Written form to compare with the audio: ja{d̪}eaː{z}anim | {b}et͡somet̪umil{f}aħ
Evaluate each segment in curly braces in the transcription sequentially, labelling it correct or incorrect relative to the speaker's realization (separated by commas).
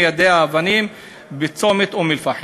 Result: correct, incorrect, correct, correct